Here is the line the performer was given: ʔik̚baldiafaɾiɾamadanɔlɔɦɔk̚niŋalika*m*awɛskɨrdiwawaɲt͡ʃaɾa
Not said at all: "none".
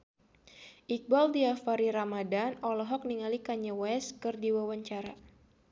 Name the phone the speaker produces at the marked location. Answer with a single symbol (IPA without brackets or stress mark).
ɲ